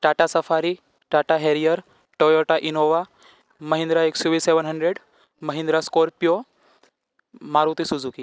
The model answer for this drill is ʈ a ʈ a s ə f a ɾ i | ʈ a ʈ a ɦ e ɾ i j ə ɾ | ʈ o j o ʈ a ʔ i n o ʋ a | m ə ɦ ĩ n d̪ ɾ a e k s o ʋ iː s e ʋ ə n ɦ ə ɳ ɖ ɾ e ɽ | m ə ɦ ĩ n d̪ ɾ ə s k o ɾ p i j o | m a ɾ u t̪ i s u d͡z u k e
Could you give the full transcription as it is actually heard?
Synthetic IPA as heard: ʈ a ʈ a s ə f a ɾ i | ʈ a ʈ a ɦ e ɾ i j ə ɾ | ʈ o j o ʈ a ʔ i n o ʋ a | m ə ɦ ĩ n d̪ ɾ a e k s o ʋ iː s e ʋ ə n ɦ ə ɳ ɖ ɾ e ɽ | m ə ɦ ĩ n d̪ ɾ a s k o ɾ p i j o | m a ɾ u t̪ i s u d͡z u k i